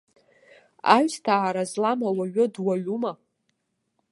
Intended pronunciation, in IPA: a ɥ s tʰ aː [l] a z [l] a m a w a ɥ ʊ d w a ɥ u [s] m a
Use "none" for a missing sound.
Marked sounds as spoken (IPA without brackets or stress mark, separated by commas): ɾ, l, none